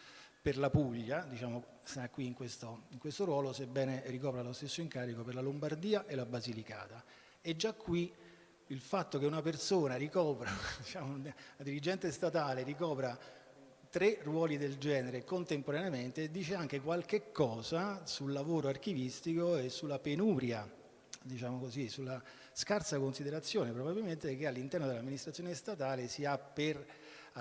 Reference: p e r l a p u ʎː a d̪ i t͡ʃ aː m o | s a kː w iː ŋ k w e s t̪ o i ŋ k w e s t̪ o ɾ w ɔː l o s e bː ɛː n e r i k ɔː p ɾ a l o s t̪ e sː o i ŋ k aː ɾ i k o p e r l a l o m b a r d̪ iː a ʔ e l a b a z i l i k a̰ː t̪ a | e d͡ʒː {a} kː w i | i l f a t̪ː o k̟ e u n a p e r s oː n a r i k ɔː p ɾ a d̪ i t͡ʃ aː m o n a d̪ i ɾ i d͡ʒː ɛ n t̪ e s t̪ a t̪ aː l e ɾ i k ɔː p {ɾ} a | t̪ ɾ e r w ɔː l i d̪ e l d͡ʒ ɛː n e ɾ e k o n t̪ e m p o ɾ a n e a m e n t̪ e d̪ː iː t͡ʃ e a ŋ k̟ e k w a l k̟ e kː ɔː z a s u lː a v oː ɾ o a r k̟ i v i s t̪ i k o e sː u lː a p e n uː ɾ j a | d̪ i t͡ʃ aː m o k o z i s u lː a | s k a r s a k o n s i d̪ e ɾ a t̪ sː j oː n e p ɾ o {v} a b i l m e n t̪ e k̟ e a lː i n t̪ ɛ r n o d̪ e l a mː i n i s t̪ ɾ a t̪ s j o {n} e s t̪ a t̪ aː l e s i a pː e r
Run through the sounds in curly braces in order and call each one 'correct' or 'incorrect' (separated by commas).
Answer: correct, correct, incorrect, correct